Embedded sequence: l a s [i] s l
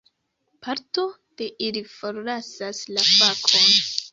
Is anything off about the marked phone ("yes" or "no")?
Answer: yes